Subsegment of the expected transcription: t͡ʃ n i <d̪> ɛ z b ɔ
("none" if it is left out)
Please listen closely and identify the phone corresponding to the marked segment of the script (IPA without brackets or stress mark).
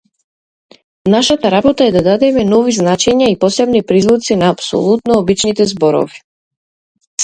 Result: t̪